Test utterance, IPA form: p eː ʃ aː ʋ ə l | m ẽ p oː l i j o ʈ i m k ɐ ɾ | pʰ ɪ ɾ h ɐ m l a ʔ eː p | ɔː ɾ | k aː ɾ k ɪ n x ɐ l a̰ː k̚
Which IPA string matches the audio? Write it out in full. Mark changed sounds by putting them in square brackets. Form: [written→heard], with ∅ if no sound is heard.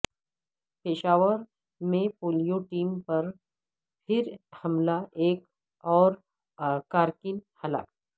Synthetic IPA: p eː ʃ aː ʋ ə [l→ɾ] | m ẽ p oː l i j o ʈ [i→iː] m [k→p] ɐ ɾ | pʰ ɪ ɾ h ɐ m l a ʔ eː [p→k] | ɔː ɾ | k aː ɾ k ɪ n [x→h] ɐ l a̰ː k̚